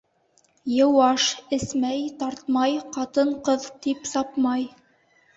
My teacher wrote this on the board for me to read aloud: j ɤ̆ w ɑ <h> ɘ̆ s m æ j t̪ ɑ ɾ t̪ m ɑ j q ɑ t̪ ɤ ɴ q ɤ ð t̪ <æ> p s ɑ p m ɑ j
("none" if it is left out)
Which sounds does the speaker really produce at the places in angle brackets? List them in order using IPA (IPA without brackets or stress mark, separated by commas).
ʃ, i